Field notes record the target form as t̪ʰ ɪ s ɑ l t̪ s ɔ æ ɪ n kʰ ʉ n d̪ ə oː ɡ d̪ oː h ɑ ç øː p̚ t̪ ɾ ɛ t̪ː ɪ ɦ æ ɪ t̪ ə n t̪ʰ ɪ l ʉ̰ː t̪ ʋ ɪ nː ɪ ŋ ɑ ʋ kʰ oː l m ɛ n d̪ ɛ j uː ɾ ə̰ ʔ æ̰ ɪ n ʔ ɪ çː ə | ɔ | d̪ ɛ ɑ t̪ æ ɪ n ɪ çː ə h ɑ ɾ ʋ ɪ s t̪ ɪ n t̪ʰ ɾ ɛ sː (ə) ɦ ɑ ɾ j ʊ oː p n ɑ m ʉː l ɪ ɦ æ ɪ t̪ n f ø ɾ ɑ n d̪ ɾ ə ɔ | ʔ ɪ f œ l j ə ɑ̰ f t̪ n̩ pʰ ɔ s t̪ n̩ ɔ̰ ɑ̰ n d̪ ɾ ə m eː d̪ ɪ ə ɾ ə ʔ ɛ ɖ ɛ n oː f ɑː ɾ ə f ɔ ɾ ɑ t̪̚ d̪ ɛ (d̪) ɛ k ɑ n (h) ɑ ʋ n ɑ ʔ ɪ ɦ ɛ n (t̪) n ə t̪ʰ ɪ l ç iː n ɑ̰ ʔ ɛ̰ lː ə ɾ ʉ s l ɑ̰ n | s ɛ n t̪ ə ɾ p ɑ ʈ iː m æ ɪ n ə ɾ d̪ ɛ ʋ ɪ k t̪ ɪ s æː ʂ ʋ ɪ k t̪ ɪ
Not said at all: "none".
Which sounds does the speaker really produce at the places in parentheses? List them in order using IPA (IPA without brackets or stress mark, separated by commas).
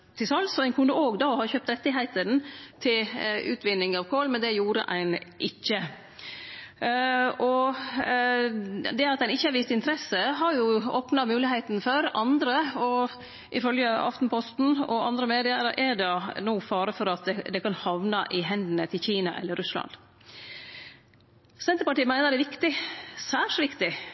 ə, d̪, h, d̪